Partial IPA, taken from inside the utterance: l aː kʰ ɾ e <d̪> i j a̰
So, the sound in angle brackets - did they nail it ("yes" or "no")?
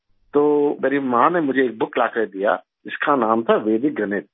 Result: yes